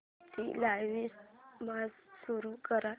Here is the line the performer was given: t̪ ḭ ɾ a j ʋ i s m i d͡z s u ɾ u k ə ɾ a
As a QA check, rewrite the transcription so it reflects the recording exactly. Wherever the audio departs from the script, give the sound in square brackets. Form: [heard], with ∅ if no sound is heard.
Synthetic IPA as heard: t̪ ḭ [l] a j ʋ i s m [a] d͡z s u ɾ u k ə ɾ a